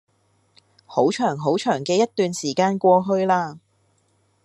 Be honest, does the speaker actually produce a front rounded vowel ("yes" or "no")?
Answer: yes